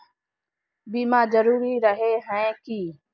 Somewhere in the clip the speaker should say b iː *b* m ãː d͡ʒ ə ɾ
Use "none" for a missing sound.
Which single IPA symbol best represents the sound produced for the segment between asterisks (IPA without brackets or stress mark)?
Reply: none